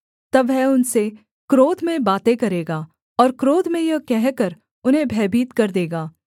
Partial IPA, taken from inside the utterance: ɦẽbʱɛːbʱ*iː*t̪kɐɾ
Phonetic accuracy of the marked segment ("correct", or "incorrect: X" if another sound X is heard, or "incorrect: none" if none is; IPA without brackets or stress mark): correct